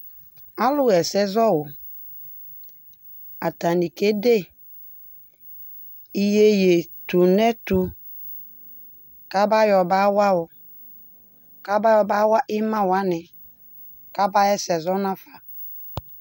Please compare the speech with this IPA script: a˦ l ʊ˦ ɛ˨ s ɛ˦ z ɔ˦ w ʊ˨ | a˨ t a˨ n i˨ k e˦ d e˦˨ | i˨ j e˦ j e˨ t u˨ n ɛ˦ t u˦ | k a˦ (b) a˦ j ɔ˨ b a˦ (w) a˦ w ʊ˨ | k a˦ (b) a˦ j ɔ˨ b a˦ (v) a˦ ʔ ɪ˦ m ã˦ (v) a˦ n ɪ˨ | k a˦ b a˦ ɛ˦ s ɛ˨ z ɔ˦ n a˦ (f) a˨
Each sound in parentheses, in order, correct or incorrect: correct, correct, correct, incorrect: w, incorrect: w, correct

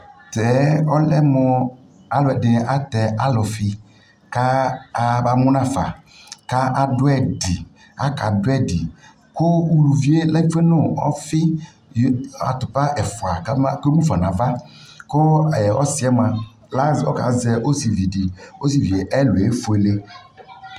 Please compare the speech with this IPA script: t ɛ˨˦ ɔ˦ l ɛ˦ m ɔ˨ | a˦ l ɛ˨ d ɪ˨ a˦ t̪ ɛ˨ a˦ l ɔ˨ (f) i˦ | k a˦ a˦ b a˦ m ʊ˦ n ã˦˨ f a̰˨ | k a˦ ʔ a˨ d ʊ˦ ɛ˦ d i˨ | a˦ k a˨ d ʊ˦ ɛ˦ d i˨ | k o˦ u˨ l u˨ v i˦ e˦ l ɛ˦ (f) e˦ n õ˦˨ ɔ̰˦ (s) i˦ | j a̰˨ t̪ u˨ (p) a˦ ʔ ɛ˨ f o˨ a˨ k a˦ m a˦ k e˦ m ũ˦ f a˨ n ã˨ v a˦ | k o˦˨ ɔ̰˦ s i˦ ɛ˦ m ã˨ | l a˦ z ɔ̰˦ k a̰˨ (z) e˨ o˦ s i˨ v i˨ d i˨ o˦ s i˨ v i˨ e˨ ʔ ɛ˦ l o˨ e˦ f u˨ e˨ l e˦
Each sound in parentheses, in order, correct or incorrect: correct, correct, incorrect: f, correct, correct

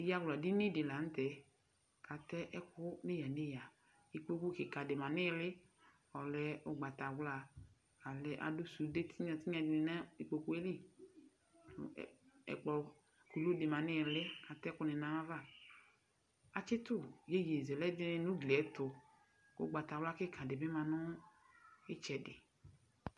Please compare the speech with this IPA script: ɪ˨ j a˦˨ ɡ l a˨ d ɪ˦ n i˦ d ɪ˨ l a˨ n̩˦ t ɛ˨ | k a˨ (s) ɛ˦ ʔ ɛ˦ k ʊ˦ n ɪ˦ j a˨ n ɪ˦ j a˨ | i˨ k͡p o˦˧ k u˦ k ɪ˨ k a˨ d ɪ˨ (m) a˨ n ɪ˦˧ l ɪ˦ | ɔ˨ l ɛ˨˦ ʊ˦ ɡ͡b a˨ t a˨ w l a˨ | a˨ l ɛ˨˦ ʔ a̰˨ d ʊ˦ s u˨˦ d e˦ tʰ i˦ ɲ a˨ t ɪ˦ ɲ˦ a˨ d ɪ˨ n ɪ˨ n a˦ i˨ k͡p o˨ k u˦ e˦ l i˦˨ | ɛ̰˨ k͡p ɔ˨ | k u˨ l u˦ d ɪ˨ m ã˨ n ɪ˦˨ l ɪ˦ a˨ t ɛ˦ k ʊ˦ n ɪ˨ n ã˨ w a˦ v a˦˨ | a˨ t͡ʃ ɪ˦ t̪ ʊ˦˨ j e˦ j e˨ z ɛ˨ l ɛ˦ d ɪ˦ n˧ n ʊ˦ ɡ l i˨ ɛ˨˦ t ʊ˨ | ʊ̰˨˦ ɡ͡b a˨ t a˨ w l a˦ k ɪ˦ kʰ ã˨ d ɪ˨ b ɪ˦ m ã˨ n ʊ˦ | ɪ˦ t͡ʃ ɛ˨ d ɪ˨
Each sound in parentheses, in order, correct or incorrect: incorrect: t, correct

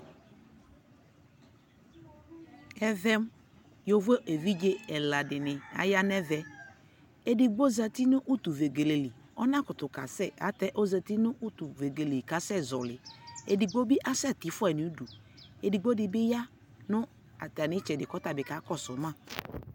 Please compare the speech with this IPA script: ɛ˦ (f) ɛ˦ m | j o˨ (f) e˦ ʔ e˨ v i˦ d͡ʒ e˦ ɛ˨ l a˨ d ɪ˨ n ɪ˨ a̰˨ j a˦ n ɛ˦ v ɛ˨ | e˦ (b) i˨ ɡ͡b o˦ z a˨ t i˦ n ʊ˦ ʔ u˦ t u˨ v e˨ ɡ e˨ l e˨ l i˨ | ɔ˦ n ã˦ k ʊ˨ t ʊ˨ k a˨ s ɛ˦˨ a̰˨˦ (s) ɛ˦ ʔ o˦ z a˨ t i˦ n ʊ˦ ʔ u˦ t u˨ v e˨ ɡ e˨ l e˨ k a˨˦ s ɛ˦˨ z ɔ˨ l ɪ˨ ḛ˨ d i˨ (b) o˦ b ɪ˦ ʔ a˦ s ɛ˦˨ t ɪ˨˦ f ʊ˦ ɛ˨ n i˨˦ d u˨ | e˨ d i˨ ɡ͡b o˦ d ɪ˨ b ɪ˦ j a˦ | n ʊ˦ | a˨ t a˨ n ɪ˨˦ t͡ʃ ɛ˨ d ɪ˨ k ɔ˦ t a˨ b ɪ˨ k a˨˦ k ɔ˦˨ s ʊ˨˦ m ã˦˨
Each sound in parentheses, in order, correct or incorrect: incorrect: v, incorrect: v, incorrect: d, incorrect: t, incorrect: ɡ͡b

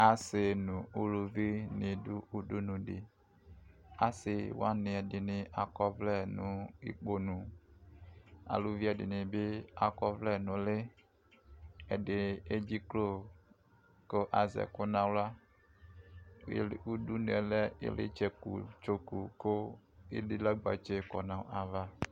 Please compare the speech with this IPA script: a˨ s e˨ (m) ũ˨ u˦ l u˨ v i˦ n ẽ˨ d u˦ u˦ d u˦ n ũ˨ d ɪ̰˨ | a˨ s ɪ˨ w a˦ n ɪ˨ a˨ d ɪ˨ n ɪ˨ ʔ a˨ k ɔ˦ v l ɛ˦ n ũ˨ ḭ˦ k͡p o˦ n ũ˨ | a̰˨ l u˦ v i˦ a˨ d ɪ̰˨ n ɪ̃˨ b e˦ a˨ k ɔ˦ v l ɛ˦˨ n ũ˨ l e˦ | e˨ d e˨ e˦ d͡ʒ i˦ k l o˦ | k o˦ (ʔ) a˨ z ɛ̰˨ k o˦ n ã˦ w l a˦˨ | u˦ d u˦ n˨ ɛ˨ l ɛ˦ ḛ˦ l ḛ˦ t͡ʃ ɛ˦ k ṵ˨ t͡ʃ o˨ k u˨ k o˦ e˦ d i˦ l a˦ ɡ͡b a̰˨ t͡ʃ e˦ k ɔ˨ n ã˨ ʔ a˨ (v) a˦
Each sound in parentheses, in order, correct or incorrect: incorrect: n, correct, correct

